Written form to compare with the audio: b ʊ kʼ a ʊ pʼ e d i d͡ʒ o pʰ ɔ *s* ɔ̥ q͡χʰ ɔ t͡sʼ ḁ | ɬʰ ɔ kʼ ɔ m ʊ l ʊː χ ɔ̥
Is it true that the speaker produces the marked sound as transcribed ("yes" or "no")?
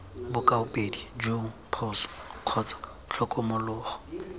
yes